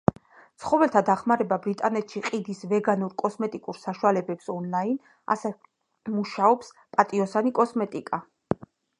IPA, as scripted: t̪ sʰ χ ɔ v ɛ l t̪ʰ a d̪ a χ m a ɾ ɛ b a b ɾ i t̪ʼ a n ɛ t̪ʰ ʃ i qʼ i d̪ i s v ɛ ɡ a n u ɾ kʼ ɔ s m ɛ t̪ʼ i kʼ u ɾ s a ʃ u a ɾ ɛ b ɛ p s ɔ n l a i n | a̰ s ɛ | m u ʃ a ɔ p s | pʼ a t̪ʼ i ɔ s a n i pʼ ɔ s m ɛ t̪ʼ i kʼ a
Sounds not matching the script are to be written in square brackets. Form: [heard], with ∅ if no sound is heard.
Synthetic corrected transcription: t̪ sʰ χ ɔ v ɛ l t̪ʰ a d̪ a χ m a ɾ ɛ b a b ɾ i t̪ʼ a n ɛ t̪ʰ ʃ i qʼ i d̪ i s v ɛ ɡ a n u ɾ kʼ ɔ s m ɛ t̪ʼ i kʼ u ɾ s a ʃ u a [l] ɛ b ɛ p s ɔ n l a i n | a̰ s ɛ | m u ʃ a ɔ p s | pʼ a t̪ʼ i ɔ s a n i [kʼ] ɔ s m ɛ t̪ʼ i kʼ a